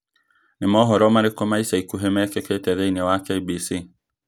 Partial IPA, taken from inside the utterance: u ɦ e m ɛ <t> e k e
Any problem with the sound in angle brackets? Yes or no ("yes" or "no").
yes